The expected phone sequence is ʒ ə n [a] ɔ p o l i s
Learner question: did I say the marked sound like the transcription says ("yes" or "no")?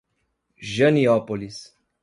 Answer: no